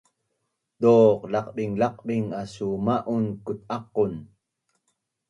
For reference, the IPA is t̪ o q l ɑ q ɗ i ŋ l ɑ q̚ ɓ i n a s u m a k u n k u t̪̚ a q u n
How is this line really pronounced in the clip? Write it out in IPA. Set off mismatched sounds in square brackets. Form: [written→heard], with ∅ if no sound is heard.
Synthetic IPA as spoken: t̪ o q l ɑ q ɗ i ŋ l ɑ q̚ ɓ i [n→ŋ] a s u m a [k→ʔ] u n k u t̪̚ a q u n